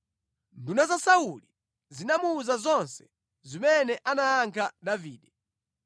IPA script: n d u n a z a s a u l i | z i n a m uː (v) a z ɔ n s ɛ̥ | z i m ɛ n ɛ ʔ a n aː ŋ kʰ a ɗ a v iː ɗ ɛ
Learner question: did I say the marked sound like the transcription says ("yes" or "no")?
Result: no